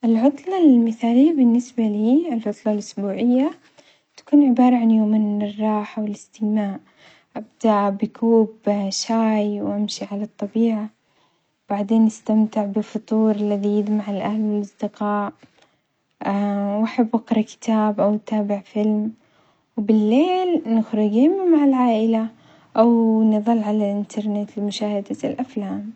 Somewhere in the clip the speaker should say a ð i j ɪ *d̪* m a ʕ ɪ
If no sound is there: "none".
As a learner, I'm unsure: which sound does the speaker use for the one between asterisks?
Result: d̪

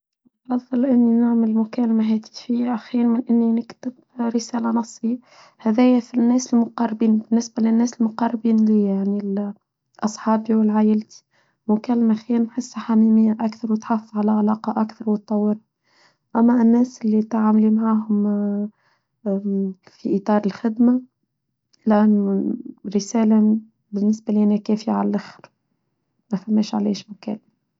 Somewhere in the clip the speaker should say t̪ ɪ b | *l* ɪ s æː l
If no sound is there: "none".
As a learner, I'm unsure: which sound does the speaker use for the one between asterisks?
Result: ɾ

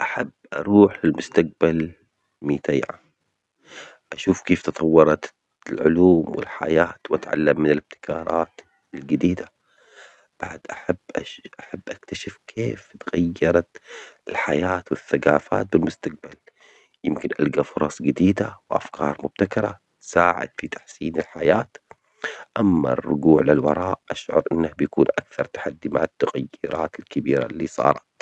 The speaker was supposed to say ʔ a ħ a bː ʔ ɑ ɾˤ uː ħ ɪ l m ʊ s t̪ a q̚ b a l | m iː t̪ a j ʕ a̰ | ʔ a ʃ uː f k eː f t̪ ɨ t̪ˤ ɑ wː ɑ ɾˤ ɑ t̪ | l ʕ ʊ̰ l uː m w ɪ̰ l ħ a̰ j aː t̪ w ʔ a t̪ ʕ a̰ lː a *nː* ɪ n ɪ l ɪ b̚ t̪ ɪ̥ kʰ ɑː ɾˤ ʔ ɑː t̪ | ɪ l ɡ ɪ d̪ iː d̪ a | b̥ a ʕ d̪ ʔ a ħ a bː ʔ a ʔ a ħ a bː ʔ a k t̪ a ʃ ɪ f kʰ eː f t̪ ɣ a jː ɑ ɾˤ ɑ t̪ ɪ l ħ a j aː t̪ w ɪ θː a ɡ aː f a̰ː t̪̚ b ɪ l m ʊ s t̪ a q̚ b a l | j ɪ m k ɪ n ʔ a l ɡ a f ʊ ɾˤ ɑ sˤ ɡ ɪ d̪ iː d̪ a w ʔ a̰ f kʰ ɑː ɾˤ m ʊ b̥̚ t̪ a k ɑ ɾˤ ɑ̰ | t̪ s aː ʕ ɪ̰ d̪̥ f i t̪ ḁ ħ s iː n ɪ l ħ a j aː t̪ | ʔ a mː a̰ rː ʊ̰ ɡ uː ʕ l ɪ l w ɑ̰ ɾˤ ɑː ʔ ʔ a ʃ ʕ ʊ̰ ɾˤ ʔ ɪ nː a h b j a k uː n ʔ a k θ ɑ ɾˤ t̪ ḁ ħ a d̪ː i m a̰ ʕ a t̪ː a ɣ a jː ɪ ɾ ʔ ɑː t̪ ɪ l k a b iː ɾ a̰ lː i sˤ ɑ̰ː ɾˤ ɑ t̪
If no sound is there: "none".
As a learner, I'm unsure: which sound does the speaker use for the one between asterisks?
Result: mː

